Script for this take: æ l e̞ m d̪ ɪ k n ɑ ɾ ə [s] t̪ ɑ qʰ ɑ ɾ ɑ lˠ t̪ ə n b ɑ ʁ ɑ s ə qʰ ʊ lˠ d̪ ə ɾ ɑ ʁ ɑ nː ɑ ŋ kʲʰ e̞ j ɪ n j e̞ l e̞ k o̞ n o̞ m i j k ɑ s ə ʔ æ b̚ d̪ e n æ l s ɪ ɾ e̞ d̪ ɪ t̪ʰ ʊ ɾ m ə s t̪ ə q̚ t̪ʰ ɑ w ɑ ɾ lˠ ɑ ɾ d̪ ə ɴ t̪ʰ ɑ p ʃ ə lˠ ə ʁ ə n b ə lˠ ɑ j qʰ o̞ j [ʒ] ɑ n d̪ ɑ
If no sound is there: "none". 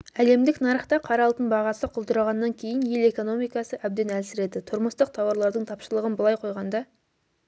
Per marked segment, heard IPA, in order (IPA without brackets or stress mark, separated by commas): χ, ʁ